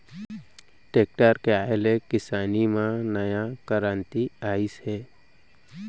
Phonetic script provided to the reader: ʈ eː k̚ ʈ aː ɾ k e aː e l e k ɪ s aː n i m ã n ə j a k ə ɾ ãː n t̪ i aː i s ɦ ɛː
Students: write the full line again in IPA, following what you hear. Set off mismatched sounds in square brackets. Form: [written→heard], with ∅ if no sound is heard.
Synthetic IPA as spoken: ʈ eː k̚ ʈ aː ɾ k e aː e l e k ɪ s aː n i m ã n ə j a k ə ɾ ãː n t̪ i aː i s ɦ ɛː